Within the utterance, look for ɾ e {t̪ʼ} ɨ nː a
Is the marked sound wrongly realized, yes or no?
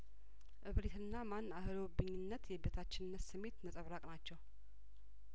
yes